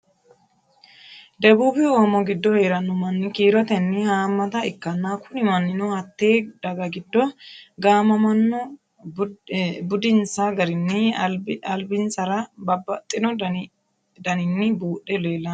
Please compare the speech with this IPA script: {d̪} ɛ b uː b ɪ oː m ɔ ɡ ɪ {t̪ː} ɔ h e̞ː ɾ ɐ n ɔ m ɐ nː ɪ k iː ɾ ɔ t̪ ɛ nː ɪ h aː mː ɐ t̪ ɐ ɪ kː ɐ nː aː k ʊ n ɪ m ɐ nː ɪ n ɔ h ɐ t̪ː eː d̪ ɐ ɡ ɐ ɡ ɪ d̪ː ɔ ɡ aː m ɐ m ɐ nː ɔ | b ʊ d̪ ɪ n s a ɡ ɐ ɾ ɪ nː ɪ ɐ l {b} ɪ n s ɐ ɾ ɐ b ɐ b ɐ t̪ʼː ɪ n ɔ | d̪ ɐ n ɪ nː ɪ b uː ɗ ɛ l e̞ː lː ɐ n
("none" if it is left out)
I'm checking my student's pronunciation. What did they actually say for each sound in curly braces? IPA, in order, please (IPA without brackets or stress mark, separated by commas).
d̪, d̪ː, b